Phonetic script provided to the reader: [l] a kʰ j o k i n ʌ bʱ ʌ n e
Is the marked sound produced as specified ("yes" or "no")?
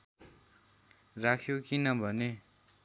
no